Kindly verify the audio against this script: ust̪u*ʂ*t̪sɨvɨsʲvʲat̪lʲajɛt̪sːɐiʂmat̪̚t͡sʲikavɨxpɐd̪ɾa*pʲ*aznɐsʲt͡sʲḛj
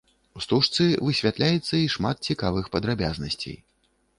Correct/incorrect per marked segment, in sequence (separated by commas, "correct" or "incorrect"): correct, incorrect